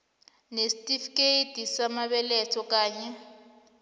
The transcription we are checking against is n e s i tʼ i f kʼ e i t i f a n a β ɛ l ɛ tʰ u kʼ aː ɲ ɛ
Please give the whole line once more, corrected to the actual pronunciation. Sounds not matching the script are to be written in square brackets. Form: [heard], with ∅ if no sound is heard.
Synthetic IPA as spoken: n e s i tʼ i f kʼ e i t i [s] a [m] a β ɛ l ɛ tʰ [ɔ] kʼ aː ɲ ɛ